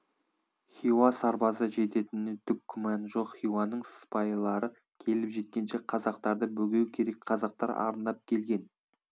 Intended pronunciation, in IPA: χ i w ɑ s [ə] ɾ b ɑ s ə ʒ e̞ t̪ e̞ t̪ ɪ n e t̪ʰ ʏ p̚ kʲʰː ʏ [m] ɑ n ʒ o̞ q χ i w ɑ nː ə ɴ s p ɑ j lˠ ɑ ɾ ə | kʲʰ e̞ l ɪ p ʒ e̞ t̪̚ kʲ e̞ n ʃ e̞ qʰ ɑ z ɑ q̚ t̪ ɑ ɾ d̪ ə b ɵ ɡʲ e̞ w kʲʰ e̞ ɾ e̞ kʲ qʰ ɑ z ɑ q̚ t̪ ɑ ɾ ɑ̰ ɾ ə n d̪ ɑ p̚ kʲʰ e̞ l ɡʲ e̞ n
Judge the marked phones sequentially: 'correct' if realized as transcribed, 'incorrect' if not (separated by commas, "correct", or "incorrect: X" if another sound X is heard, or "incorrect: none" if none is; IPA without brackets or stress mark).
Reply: incorrect: ɑ, correct